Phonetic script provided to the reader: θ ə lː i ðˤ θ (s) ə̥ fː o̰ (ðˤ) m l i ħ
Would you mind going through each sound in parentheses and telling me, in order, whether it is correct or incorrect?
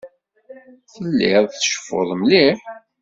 incorrect: ʃ, correct

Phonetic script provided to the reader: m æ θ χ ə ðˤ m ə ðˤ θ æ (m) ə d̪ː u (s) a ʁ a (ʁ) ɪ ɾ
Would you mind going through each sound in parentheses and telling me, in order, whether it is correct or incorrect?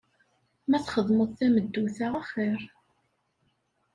correct, incorrect: θ, incorrect: χ

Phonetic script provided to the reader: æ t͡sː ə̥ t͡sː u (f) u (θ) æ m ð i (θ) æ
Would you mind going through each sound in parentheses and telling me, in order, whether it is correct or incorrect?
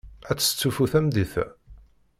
correct, correct, correct

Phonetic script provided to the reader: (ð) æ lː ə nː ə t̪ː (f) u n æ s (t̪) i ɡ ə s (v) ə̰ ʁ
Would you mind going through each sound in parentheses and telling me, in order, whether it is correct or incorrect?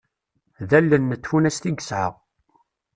correct, correct, correct, incorrect: ʕ

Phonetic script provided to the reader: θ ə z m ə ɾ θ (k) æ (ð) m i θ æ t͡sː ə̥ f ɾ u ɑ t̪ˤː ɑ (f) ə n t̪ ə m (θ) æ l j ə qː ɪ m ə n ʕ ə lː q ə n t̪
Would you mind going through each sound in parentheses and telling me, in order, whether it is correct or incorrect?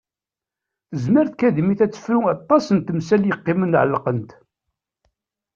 correct, correct, incorrect: s, incorrect: s

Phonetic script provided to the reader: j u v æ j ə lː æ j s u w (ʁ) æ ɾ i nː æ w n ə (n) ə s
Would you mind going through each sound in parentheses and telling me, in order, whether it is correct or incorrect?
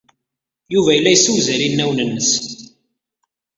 incorrect: z, incorrect: nː

